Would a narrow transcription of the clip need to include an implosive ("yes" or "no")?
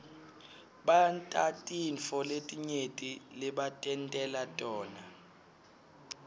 yes